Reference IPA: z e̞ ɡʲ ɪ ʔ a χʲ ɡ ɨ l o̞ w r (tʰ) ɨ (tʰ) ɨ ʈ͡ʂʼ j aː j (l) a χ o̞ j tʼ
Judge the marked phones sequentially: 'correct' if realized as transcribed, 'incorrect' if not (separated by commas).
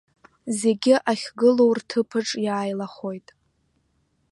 correct, incorrect, correct